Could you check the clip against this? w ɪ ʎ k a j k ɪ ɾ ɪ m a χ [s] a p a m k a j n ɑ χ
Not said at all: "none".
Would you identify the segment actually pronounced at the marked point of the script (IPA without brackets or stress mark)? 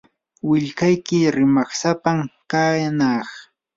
s